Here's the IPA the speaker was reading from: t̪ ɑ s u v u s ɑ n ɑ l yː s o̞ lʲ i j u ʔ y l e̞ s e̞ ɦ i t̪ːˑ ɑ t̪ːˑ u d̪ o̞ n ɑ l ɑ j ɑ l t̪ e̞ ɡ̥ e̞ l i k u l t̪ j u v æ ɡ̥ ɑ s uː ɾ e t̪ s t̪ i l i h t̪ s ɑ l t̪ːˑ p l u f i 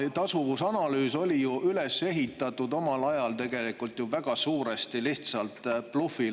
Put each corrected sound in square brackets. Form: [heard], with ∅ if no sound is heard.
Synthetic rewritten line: t̪ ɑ s u v u s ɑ n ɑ l yː s o̞ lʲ i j u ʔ y l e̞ s e̞ ɦ i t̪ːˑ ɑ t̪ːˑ u d̪ o̞ [m] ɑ l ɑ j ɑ l t̪ e̞ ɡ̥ e̞ l i k u l t̪ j u v æ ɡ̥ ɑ s uː ɾ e [∅] s t̪ i l i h t̪ s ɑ l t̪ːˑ p l u f i

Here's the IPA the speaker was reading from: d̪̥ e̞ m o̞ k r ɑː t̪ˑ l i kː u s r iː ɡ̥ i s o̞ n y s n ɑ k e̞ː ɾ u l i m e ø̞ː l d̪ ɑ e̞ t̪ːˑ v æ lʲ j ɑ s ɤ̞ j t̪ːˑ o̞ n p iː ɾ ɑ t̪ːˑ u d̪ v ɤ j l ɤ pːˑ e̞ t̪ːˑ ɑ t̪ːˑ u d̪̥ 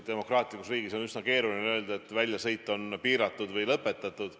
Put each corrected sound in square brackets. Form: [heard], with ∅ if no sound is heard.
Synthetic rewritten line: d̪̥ e̞ m o̞ k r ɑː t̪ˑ l i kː u s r iː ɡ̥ i s o̞ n y s n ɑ k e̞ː ɾ u l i [n] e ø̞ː l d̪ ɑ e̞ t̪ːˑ v æ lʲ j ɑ s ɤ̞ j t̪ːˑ o̞ n p iː ɾ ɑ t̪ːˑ u d̪ v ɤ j l ɤ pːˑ e̞ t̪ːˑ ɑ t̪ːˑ u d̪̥

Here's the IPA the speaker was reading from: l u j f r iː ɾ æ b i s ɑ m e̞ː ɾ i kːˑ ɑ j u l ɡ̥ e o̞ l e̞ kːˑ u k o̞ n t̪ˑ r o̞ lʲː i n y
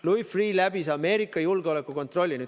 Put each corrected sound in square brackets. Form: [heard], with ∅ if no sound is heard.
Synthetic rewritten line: l u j f r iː [l] æ b i s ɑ m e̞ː ɾ i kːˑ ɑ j u l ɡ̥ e o̞ l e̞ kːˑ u k o̞ n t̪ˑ r o̞ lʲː i n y

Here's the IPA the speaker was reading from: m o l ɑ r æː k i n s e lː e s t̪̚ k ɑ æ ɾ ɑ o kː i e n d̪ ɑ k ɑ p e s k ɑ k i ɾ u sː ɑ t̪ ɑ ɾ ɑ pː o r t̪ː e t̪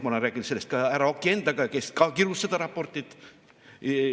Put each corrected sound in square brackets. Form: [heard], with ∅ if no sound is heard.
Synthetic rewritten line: m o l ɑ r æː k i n s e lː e s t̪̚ k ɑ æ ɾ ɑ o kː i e n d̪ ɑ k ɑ [k] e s k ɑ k i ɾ u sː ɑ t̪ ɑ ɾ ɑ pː o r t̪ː [i] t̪

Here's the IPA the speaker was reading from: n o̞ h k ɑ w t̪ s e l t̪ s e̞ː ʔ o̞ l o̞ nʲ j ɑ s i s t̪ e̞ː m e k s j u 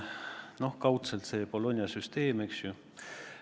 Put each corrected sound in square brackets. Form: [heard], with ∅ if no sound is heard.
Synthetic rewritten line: n o̞ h k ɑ w t̪ s e l t̪ s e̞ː [p] o̞ l o̞ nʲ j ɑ s [y] s t̪ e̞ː m e k s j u

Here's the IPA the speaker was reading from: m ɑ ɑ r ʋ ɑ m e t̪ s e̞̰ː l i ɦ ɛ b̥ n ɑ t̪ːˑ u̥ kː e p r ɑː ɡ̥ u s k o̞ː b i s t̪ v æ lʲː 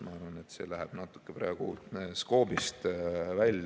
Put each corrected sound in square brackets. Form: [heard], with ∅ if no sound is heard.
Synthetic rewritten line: m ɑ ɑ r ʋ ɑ [n] e t̪ s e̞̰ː l [æ] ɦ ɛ b̥ n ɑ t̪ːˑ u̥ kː e p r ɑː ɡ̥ u s k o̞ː b i s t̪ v æ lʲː

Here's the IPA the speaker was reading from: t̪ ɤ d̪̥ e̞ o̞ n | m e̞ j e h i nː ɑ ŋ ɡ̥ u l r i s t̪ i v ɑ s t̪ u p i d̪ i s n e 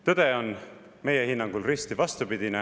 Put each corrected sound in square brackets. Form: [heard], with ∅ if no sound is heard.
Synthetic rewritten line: t̪ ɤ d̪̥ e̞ o̞ n | m e̞ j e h i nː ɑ ŋ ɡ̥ u l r i s t̪ i v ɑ s t̪ u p i d̪ i [∅] n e

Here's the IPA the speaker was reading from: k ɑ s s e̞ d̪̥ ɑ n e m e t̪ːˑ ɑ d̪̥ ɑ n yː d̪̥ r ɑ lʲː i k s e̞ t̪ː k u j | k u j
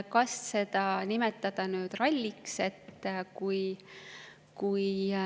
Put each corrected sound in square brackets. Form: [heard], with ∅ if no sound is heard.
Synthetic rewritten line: k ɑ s s e̞ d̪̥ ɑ n [i] m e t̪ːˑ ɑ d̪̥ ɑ n yː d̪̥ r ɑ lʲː i k s e̞ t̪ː k u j | k u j

